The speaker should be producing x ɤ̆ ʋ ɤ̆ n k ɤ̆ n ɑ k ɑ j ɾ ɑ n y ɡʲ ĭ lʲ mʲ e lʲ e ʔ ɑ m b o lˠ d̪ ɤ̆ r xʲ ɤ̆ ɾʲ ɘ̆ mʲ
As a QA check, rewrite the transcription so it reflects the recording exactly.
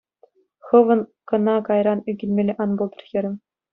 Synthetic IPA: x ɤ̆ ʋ ɤ̆ n k ɤ̆ n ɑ k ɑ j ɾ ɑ n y ɡʲ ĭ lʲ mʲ e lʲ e ʔ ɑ n b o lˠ d̪ ɤ̆ r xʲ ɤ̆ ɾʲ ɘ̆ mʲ